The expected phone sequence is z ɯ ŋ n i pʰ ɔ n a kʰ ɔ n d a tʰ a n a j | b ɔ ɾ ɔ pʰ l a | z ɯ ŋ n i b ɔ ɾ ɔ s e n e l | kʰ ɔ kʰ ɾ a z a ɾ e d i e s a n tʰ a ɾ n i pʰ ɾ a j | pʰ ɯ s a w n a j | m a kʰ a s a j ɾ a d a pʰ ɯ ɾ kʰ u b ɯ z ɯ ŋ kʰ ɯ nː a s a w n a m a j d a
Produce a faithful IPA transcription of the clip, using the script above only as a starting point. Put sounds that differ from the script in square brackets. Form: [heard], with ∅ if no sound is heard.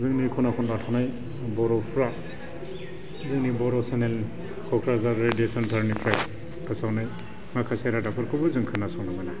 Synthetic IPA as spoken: z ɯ ŋ n i [kʰ] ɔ n a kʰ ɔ n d a tʰ a n a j | b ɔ ɾ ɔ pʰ [ɾ] a | z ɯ ŋ n i b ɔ ɾ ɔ s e n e l | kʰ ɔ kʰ ɾ a z a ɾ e d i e s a n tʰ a ɾ n i pʰ ɾ a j | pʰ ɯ s a w n a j | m a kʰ a s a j ɾ a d a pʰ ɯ ɾ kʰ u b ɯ z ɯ ŋ kʰ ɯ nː a s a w n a m a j [n] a

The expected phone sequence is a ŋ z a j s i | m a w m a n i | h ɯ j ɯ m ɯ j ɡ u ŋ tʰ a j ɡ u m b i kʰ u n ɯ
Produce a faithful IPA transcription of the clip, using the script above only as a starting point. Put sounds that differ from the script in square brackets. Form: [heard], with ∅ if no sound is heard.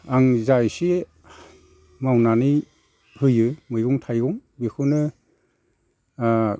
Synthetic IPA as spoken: a ŋ z a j s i | m a w [n] a n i | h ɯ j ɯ m ɯ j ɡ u ŋ tʰ a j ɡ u [ŋ] b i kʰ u n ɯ

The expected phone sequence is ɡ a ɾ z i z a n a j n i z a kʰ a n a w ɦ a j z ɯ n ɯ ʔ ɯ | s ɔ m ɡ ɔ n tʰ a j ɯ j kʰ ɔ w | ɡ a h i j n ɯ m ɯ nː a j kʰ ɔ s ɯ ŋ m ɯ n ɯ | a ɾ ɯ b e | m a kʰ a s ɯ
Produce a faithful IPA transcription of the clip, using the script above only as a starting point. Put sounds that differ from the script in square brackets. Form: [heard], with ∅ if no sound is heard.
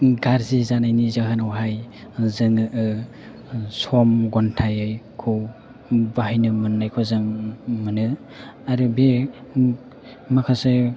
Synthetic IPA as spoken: ɡ a ɾ z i z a n a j n i z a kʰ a n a w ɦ a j z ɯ [ŋ] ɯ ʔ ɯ | s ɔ m ɡ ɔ n tʰ a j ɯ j kʰ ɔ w | [b] a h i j n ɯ m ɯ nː a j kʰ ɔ [z] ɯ ŋ m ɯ n ɯ | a ɾ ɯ b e | m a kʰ a s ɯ

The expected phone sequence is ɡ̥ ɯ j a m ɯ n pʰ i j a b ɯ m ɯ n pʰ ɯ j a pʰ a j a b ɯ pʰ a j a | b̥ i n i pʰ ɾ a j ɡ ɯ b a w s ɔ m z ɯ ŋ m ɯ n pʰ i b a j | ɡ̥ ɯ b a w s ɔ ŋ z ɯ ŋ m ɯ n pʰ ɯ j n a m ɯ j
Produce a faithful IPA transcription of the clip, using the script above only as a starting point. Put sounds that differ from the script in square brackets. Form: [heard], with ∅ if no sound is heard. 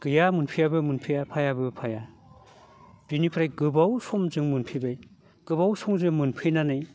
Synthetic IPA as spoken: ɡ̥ ɯ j a m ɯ n pʰ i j a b ɯ m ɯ n pʰ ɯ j a pʰ a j a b ɯ pʰ a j a | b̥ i n i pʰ ɾ a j ɡ ɯ b a w s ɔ m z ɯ ŋ m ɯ n pʰ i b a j | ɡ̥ ɯ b a w s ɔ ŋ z ɯ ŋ m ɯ n pʰ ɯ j n a [n] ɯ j

